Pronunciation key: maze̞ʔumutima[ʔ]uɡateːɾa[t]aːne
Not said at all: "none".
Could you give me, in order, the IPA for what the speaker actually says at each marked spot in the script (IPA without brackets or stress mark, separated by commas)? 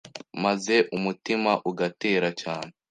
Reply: ʔ, c